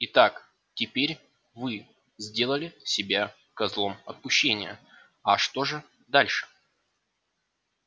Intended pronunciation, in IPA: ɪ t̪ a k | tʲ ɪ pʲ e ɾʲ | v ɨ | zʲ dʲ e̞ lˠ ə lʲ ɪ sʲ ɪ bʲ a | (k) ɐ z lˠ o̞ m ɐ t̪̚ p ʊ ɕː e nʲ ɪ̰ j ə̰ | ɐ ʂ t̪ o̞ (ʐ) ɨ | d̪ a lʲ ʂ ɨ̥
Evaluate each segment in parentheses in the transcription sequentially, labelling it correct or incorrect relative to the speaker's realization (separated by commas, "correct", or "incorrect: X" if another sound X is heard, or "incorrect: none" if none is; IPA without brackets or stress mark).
correct, correct